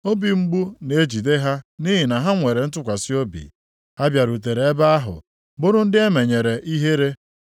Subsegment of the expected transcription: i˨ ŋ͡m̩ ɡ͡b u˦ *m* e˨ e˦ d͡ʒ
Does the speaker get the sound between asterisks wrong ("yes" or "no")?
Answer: yes